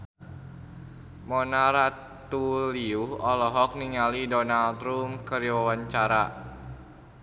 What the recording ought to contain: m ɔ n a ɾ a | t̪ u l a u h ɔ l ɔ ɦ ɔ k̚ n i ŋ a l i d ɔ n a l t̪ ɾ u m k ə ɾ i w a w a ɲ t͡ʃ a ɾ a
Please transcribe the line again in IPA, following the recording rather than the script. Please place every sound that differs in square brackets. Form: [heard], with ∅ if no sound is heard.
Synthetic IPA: m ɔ n a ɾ a | t̪ u l [i] u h ɔ l ɔ ɦ ɔ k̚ n i ŋ a l i d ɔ n a l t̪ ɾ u m k ə ɾ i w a w a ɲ t͡ʃ a ɾ a